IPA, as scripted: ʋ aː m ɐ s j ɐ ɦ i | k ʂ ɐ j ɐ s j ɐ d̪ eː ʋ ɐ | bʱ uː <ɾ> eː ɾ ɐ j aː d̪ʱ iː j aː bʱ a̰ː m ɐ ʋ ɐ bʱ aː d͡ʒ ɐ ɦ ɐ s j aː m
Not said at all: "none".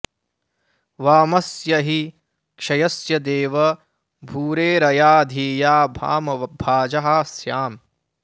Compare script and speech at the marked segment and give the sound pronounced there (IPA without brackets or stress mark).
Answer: ɾ